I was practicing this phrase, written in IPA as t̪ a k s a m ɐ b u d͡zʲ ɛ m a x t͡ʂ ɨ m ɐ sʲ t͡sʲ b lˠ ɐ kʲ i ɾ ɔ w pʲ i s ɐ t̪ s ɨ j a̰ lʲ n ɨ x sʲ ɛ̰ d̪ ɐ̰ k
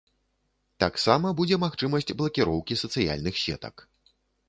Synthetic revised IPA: t̪ a k s a m ɐ b u d͡zʲ ɛ m a x t͡ʂ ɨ m ɐ sʲ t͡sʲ b lˠ ɐ kʲ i ɾ ɔ w kʲ i s ɐ t̪ s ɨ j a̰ lʲ n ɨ x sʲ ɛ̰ t̪ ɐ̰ k